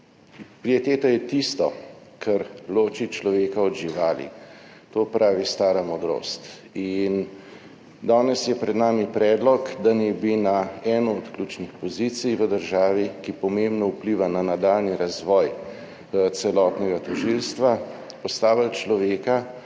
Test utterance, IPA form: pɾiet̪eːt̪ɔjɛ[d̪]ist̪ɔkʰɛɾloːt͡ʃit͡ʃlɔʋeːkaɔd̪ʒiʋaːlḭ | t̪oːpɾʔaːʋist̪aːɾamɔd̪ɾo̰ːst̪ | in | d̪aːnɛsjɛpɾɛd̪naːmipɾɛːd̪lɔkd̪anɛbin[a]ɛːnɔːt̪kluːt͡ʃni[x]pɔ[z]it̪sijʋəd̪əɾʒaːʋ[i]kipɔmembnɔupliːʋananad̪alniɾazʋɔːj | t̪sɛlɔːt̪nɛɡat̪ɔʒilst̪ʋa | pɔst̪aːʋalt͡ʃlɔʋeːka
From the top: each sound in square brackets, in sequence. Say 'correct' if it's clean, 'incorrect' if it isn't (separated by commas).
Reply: incorrect, correct, correct, correct, correct